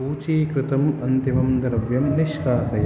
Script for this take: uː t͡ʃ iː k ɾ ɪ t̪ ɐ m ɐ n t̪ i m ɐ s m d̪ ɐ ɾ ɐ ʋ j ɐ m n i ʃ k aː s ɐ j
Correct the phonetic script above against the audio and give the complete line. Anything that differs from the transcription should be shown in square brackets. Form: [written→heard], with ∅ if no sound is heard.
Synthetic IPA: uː t͡ʃ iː k ɾ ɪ t̪ ɐ m ɐ n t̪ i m ɐ [s→∅] m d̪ ɐ ɾ ɐ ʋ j ɐ m n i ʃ k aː s ɐ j